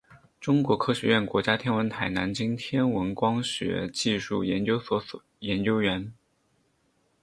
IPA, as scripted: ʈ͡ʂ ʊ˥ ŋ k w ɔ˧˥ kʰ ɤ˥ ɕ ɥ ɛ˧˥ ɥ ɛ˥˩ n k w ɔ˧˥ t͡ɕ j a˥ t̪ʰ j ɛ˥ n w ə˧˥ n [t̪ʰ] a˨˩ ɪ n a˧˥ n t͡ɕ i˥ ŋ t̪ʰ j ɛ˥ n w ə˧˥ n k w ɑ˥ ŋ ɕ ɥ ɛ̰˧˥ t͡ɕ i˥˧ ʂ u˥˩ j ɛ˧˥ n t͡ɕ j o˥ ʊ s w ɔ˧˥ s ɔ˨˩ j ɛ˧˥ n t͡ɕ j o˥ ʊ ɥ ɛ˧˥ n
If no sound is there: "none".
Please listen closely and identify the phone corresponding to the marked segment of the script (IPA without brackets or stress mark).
t̪ʰ